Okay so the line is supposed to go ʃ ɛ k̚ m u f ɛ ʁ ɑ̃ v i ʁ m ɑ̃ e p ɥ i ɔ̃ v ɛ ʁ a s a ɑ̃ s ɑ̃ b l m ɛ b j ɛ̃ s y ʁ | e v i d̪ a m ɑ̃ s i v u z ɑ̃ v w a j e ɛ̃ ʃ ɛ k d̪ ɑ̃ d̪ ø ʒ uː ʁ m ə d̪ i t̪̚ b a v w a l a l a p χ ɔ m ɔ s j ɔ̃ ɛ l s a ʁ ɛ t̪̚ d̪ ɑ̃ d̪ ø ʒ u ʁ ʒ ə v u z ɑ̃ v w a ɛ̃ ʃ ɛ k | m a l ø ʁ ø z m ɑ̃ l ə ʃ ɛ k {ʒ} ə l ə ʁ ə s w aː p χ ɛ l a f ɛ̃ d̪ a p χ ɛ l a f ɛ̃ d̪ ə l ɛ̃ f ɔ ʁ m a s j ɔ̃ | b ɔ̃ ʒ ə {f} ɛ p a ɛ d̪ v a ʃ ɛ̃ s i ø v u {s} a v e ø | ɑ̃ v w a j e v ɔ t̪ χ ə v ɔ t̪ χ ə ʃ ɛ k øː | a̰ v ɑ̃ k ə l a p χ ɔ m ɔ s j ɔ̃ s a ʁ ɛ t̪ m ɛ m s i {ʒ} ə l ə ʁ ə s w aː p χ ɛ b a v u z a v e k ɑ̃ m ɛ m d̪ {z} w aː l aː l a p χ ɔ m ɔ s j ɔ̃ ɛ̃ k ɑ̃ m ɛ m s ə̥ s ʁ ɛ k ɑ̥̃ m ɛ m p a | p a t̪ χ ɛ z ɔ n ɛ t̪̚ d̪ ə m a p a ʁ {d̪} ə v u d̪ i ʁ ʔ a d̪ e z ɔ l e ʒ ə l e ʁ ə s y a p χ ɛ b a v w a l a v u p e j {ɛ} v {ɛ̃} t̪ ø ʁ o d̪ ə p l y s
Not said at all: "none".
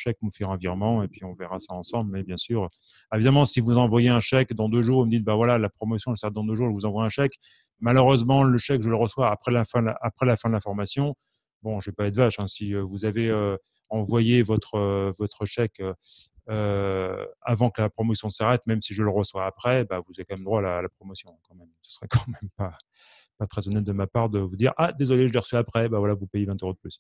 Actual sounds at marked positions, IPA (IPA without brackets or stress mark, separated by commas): ʒ, v, z, ʒ, ʁ, d̪, e, ɛ̃